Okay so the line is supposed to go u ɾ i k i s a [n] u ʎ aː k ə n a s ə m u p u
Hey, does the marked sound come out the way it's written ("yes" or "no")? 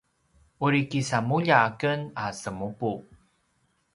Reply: no